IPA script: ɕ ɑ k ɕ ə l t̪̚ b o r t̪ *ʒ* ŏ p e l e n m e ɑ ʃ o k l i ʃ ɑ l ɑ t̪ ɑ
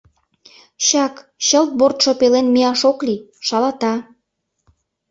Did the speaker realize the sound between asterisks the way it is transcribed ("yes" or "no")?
no